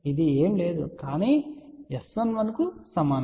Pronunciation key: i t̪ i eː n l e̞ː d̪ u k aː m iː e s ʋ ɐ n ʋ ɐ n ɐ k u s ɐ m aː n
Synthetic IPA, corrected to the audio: i d̪ i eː m l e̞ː d̪ u k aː n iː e s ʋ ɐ n ʋ ɐ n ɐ k u s ɐ m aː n